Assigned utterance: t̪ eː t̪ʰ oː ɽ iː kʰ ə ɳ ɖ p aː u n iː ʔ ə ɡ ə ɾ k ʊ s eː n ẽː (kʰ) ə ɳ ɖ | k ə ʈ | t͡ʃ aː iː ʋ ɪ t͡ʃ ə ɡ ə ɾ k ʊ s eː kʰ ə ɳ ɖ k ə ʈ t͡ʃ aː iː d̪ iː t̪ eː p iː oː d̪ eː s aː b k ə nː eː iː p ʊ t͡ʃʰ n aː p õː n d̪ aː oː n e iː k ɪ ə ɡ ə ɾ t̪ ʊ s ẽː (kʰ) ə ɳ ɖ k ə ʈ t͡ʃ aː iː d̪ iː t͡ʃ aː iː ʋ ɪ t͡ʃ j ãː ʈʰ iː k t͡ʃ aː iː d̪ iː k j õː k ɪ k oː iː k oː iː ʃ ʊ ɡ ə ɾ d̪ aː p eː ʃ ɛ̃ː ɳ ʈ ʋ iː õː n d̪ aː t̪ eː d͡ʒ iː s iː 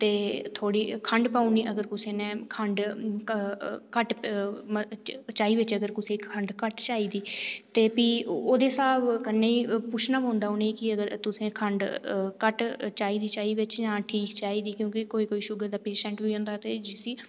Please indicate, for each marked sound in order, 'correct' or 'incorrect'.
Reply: correct, correct

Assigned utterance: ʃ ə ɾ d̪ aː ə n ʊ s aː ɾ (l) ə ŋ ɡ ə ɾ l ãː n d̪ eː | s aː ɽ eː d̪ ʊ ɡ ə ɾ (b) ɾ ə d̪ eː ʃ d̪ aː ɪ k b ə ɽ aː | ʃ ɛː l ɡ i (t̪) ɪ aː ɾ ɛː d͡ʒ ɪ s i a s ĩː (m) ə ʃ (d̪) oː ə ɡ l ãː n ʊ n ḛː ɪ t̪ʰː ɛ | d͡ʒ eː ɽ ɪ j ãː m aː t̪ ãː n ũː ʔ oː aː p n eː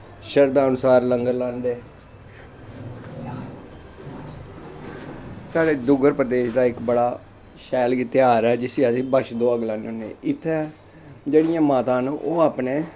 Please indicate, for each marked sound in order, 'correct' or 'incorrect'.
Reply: correct, incorrect: p, correct, incorrect: b, correct

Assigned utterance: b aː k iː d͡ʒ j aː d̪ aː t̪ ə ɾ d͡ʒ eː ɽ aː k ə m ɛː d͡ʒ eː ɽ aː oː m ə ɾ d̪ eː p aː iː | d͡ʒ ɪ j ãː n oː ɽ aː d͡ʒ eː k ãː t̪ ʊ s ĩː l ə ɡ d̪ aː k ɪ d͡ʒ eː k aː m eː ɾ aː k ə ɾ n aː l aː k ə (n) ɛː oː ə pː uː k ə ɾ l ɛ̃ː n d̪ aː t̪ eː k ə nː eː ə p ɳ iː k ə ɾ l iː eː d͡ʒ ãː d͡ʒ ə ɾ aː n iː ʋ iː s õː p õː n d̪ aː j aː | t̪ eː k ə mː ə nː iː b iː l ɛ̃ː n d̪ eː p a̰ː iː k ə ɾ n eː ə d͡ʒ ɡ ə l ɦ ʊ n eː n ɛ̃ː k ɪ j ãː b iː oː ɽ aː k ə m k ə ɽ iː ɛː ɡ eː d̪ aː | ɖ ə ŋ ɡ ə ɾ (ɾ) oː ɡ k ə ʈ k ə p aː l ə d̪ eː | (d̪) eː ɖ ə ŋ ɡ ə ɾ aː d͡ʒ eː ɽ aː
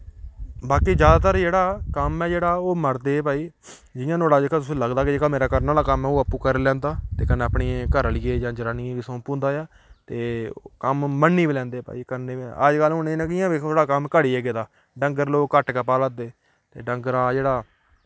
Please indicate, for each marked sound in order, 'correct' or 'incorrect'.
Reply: incorrect: m, incorrect: l, incorrect: t̪

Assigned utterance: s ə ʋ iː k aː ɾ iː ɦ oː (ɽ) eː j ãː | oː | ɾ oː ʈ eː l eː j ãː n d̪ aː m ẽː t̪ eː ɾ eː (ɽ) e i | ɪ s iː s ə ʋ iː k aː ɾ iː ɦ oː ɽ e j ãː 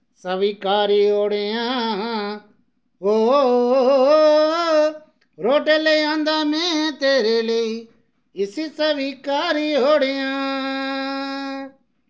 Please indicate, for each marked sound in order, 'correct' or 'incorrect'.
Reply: correct, incorrect: l

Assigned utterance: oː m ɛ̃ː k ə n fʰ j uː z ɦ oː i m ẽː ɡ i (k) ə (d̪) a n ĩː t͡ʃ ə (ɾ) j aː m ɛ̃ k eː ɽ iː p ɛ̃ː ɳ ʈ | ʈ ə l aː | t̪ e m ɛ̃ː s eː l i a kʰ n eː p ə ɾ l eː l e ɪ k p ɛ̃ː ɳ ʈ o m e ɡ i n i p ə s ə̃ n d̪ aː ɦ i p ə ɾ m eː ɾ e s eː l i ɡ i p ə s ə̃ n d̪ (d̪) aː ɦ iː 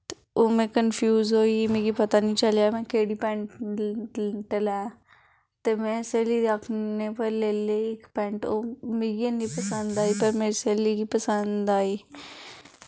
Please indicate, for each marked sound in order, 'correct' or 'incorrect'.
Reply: incorrect: p, incorrect: t̪, incorrect: l, correct

